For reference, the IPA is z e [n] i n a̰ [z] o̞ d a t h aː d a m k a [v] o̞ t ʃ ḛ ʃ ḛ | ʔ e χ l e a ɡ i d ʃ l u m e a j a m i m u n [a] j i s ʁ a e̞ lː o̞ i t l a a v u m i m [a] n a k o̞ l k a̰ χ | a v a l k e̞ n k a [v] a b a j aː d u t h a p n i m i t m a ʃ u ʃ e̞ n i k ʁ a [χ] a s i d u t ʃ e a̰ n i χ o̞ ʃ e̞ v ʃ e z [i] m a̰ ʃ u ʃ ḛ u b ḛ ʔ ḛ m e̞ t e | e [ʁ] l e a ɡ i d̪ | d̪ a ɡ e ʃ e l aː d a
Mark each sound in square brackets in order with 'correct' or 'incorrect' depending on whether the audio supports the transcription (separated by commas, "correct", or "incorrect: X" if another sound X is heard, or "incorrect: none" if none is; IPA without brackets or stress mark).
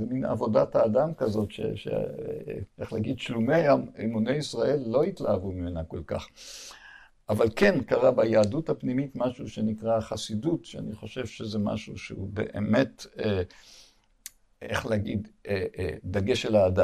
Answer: incorrect: m, incorrect: v, incorrect: z, incorrect: e, incorrect: e, incorrect: ʁ, correct, incorrect: e, incorrect: χ